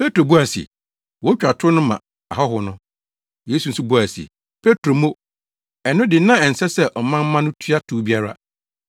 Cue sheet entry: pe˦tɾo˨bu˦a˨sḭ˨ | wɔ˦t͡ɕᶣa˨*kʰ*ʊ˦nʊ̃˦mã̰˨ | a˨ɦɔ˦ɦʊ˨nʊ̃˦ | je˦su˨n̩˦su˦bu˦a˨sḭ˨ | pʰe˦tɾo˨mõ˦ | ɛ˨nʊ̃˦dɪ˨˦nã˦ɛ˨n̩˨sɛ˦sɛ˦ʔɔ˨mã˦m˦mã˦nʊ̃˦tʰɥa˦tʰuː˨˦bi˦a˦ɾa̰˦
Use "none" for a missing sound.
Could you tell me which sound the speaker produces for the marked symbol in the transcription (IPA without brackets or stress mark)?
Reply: tʰ